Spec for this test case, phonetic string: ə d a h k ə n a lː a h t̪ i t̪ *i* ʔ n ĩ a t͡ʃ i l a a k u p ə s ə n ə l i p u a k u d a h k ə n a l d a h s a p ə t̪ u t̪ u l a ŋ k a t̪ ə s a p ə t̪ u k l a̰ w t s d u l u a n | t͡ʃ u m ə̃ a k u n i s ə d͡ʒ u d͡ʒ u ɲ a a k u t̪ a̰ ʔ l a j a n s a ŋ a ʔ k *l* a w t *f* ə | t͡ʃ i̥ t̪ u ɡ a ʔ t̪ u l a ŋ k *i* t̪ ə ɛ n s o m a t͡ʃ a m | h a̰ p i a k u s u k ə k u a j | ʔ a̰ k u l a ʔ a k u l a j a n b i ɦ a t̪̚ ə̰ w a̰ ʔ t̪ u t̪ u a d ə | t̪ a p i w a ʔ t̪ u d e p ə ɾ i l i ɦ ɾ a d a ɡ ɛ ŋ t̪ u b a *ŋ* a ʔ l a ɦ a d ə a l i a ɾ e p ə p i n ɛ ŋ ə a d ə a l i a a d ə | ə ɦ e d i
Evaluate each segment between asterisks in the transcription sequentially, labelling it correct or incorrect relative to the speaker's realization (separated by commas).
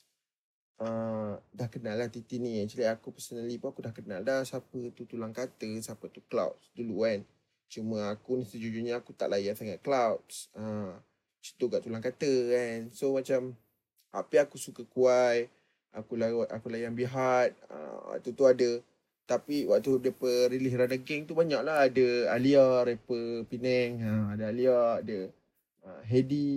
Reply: correct, correct, incorrect, incorrect, incorrect